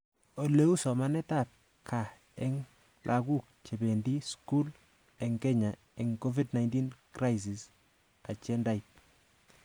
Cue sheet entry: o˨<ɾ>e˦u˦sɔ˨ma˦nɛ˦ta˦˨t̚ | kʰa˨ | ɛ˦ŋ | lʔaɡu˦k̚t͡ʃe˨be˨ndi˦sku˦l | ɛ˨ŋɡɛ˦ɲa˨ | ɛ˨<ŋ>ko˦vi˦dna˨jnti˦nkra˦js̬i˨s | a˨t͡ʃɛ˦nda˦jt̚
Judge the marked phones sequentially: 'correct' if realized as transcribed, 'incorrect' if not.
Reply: incorrect: l, correct

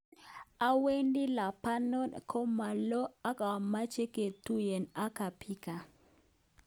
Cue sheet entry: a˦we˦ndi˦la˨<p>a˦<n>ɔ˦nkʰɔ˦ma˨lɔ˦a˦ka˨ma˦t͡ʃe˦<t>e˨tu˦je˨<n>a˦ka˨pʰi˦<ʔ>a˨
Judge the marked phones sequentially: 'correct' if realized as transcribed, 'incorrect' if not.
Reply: correct, correct, incorrect: k, correct, incorrect: k

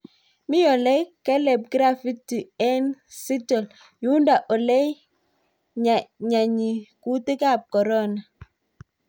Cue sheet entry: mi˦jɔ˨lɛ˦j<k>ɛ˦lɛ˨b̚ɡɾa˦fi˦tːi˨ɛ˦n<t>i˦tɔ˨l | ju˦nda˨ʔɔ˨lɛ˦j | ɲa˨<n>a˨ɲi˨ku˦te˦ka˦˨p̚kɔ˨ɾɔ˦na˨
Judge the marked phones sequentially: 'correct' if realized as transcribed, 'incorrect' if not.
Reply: correct, incorrect: s, incorrect: ɲ

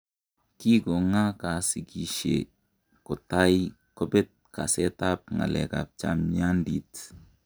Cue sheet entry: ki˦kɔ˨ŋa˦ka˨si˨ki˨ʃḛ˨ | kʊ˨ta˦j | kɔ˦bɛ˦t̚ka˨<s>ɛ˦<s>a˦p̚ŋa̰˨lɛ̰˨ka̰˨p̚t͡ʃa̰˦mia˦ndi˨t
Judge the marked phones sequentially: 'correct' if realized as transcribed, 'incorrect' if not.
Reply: correct, incorrect: t

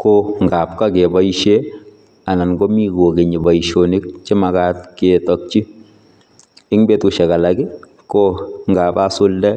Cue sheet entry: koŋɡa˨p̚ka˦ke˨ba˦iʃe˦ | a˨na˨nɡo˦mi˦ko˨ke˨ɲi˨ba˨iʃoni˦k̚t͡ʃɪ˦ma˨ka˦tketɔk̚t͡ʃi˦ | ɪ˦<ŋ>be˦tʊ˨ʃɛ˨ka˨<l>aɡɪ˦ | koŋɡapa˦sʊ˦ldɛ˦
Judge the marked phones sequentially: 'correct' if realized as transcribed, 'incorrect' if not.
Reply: correct, correct

